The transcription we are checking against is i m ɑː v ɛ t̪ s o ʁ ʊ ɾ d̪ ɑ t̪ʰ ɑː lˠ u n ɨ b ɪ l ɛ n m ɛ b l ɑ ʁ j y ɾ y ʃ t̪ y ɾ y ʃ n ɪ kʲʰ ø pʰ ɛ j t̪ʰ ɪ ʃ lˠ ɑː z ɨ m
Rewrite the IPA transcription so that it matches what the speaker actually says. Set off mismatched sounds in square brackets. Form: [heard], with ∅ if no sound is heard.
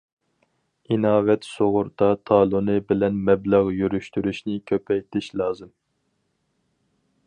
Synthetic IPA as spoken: i [n] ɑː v ɛ t̪ s o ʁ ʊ ɾ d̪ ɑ t̪ʰ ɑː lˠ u n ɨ b ɪ l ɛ n m ɛ b l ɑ ʁ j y ɾ y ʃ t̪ y ɾ y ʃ n ɪ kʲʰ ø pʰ ɛ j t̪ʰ ɪ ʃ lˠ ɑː z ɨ m

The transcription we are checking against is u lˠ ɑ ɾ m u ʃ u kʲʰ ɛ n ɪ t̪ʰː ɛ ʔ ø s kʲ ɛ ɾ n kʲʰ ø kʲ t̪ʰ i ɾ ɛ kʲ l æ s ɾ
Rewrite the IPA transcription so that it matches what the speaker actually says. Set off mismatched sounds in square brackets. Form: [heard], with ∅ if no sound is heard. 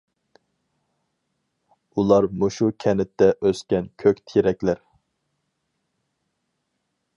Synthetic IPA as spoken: u lˠ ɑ ɾ m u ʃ u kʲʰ ɛ n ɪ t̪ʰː ɛ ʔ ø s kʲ ɛ [∅] n kʲʰ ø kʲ t̪ʰ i ɾ ɛ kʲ l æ [∅] ɾ

